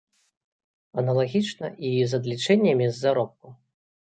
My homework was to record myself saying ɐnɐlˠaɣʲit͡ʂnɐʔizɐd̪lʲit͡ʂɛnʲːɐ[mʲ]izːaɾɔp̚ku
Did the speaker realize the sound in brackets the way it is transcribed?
yes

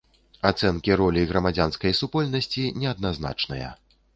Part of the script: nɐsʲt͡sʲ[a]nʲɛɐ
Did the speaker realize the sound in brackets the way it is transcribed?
no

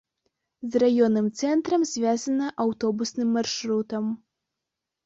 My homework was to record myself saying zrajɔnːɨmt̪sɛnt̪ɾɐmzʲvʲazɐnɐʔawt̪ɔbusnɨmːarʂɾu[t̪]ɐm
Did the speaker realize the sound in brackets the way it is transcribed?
yes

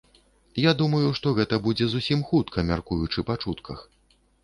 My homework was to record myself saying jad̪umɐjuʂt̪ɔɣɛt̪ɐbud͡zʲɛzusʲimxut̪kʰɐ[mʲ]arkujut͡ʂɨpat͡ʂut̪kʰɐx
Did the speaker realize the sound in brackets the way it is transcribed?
yes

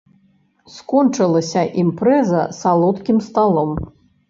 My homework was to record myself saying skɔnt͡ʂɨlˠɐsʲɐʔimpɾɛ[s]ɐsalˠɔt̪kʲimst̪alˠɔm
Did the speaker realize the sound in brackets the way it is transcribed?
no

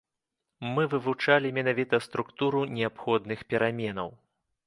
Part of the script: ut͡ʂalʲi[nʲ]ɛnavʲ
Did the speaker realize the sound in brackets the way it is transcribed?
no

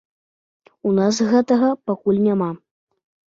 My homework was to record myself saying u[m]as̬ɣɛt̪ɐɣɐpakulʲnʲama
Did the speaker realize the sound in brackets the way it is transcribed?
no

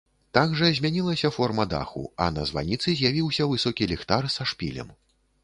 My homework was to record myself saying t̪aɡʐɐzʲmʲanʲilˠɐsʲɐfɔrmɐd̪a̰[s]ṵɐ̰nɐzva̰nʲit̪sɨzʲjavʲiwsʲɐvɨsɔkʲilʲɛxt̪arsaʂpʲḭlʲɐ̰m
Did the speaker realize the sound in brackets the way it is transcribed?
no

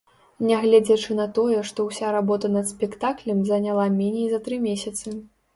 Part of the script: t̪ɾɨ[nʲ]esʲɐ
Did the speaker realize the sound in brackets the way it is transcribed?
no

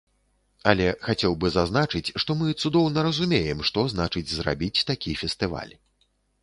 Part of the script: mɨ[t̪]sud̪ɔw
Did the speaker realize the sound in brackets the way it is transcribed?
yes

